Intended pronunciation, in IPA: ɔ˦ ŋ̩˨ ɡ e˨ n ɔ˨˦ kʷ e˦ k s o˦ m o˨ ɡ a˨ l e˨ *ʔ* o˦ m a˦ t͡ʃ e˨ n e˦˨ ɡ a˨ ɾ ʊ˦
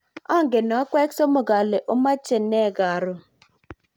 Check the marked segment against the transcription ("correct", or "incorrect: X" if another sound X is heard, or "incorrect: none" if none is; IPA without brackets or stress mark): correct